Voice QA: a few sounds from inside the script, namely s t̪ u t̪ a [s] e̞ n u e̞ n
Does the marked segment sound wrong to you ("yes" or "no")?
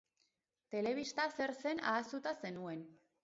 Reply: no